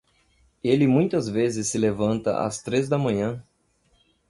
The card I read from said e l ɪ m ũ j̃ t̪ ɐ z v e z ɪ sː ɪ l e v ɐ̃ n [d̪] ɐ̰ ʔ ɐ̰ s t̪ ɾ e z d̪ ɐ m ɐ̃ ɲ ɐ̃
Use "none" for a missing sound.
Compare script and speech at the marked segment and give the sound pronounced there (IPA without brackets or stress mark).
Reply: t̪